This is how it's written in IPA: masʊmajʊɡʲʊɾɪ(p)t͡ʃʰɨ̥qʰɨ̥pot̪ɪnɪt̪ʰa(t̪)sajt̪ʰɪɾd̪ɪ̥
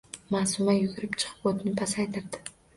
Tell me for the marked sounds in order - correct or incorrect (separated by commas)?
correct, incorrect